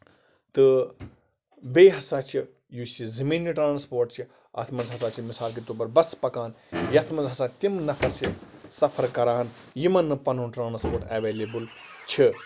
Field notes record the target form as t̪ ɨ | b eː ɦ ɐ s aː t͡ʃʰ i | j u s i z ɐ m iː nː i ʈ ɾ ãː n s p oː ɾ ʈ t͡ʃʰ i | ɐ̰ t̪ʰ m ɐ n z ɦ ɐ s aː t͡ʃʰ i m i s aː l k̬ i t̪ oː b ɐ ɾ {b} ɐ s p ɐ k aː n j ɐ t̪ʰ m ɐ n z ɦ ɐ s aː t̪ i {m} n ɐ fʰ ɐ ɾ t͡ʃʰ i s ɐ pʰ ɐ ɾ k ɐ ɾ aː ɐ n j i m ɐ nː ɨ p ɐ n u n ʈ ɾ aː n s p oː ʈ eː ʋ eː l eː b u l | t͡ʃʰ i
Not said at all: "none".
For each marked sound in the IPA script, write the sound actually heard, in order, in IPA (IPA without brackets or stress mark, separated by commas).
b, m